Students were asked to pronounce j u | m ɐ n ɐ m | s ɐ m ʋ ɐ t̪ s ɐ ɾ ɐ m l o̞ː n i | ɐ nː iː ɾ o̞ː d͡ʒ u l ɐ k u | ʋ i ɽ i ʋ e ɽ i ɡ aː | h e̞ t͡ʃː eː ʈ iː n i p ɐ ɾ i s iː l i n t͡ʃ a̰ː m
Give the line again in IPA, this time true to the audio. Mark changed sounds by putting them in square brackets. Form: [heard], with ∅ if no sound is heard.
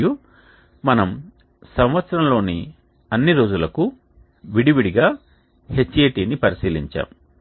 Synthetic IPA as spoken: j u | m ɐ n ɐ m | s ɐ m ʋ ɐ t̪ s ɐ ɾ ɐ m l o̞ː n i | ɐ nː [i] ɾ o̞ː d͡ʒ u l ɐ k u | ʋ i ɽ i ʋ [i] ɽ i ɡ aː | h e̞ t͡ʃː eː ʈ iː n i p ɐ ɾ i s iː l i [ɲ] t͡ʃ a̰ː m

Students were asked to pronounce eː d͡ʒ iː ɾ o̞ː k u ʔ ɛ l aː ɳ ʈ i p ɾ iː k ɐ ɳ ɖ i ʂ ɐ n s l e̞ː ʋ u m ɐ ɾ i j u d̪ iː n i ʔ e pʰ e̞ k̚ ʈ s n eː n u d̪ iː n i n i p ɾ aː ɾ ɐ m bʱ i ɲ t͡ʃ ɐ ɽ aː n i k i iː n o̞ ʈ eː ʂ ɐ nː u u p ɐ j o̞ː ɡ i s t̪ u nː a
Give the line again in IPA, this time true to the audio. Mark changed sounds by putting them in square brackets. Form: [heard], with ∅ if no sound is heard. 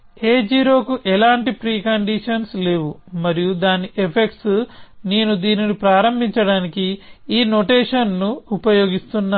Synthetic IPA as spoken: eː d͡ʒ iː ɾ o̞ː k u ʔ ɛ l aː ɳ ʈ i p ɾ iː k ɐ ɳ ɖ i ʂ ɐ n s l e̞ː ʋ u m ɐ ɾ i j u d̪ [aː] n i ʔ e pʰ e̞ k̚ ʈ s n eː n u d̪ iː n i n i p ɾ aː ɾ ɐ m bʱ i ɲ t͡ʃ ɐ ɽ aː n i k i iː n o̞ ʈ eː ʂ ɐ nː u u p ɐ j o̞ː ɡ i s t̪ u nː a

